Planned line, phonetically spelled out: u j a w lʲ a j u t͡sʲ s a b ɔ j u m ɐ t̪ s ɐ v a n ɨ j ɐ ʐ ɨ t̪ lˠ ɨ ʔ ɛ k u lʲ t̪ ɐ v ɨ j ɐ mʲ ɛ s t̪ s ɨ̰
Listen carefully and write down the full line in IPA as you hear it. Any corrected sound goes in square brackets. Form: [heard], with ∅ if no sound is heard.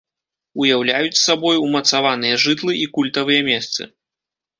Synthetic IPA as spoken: u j a w lʲ a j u t͡sʲ s a b ɔ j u m ɐ t̪ s [a] v a n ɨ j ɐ ʐ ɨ t̪ lˠ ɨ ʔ [i] k u lʲ t̪ ɐ v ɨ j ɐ mʲ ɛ s t̪ s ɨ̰